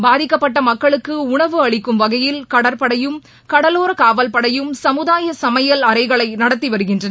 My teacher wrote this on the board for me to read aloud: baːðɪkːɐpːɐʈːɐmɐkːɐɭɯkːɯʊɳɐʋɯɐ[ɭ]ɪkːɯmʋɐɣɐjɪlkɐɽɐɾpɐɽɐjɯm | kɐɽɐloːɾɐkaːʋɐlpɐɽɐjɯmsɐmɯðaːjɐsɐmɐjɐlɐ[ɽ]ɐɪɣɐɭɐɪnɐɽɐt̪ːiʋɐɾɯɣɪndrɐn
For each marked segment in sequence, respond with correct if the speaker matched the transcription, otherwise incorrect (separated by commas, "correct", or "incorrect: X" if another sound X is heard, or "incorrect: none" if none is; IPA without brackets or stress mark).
correct, incorrect: ɾ